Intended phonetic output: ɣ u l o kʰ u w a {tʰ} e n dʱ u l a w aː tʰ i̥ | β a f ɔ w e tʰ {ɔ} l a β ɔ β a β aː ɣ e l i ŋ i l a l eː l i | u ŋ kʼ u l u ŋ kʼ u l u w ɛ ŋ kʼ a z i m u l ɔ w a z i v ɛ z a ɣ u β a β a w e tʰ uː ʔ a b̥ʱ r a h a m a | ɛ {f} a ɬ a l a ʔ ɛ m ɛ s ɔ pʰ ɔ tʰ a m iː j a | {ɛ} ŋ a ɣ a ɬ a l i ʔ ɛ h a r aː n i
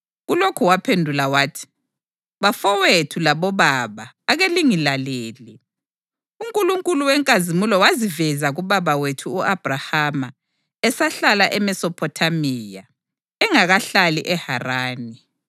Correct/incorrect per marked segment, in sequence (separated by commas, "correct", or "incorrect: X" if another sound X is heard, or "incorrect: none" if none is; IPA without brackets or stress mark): incorrect: pʰ, incorrect: u, incorrect: s, correct